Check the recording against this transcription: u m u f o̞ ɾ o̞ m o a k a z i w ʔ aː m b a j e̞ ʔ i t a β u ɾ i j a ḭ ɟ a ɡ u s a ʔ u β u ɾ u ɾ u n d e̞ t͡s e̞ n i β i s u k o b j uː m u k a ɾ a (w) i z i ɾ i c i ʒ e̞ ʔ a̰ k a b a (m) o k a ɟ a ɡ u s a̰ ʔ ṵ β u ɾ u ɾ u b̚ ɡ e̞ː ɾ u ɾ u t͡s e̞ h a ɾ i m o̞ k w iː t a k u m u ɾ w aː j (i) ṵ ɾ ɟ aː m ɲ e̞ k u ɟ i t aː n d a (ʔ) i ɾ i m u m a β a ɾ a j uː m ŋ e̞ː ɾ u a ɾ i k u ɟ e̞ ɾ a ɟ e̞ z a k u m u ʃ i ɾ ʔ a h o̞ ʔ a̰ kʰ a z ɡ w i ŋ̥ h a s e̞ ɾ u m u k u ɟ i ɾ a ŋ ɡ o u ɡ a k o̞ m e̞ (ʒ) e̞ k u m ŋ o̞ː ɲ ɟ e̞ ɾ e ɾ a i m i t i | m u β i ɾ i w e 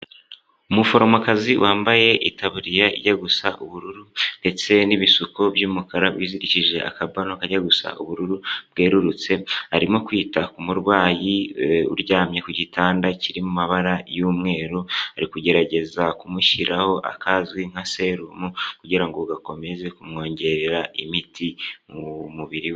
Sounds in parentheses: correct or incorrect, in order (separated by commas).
correct, incorrect, correct, incorrect, incorrect